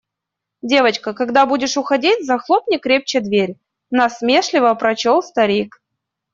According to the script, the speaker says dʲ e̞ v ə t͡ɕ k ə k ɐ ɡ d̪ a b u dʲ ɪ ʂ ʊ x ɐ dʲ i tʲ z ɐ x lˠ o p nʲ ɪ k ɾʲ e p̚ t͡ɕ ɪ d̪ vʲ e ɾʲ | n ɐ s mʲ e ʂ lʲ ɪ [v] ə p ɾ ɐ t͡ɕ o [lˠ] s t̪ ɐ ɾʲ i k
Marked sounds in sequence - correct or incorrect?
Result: correct, correct

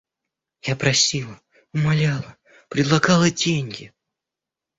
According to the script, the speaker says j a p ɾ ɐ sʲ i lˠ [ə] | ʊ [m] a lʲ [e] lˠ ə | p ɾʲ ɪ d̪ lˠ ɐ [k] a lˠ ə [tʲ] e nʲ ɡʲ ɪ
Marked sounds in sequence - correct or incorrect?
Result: correct, correct, incorrect: a, incorrect: ɡ, incorrect: dʲ

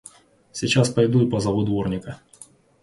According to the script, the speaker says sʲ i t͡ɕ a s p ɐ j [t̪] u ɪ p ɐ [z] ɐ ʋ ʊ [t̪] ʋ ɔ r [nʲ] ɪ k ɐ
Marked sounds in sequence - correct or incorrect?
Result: incorrect: d̪, correct, incorrect: d̪, correct

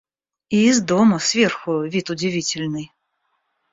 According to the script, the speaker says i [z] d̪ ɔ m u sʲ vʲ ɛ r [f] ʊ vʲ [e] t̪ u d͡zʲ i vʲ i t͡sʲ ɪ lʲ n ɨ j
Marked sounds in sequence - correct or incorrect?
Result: correct, incorrect: x, incorrect: i

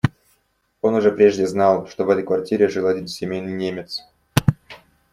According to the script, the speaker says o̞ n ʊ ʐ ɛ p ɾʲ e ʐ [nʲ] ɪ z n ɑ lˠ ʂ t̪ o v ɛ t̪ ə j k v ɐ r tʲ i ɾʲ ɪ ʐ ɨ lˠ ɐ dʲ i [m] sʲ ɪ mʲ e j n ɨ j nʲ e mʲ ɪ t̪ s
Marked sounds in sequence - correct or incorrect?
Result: incorrect: dʲ, incorrect: n

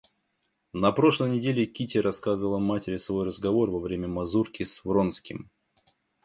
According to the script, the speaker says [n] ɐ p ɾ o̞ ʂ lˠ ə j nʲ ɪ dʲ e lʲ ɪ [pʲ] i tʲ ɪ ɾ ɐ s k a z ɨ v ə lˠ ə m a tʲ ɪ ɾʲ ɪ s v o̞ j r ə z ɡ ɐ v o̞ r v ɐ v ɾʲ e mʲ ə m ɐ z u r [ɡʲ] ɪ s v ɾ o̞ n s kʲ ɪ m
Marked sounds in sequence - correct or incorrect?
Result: correct, incorrect: kʲ, incorrect: kʲ

